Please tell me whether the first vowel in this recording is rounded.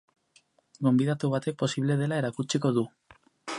yes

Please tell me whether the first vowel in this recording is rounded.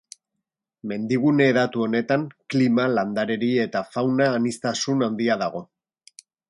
no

